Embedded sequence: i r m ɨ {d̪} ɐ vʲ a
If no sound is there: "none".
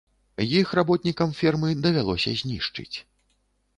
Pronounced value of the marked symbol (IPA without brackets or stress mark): d̪